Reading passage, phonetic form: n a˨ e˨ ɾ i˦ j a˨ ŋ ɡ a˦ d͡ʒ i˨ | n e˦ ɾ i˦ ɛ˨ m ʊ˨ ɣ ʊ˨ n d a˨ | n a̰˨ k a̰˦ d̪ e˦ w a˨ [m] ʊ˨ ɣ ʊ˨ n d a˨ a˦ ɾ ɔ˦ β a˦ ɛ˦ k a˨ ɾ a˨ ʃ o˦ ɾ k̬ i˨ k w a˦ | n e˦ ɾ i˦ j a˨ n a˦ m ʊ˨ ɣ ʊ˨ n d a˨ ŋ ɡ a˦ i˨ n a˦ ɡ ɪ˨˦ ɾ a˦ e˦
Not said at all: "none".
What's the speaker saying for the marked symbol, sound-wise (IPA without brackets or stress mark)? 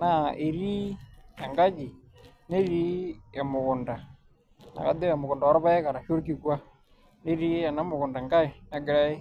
m